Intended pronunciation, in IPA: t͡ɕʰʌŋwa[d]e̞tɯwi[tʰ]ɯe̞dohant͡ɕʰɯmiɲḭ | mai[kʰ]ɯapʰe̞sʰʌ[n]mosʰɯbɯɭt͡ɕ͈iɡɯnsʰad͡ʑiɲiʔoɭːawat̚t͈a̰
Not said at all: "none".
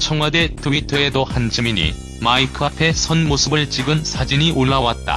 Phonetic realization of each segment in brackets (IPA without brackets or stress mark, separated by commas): d, tʰ, kʰ, n